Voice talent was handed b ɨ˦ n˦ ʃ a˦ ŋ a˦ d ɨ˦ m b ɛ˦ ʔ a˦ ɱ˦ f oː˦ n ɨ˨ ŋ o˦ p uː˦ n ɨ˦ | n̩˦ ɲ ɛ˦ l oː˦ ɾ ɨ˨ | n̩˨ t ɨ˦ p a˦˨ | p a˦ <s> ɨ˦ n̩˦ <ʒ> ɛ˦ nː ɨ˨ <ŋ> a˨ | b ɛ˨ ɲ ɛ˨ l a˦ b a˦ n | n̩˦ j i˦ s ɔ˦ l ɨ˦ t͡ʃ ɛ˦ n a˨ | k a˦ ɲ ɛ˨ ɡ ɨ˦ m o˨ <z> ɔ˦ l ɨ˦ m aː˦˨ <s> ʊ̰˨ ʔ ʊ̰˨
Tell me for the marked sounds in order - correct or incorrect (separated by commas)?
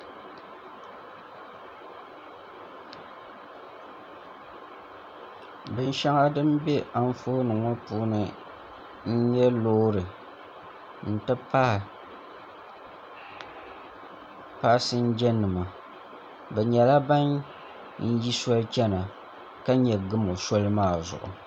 correct, incorrect, incorrect, incorrect, incorrect